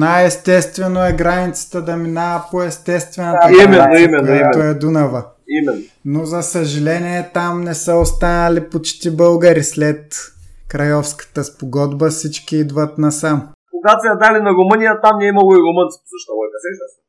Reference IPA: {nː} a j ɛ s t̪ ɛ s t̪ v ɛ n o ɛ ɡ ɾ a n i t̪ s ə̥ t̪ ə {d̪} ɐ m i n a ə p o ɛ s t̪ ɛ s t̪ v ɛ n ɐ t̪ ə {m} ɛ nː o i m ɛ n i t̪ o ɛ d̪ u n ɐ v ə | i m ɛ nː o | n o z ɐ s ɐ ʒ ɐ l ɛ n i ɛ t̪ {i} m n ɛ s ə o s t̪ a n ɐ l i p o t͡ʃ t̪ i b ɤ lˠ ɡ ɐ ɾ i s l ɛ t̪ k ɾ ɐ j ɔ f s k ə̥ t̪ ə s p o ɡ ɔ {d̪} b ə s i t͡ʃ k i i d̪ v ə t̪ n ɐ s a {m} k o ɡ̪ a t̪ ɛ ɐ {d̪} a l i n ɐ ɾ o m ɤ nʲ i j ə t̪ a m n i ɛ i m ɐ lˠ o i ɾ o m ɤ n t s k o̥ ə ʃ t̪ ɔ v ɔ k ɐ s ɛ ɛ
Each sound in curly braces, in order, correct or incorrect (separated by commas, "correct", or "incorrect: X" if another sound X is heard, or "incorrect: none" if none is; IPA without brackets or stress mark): incorrect: n, correct, correct, incorrect: a, correct, correct, correct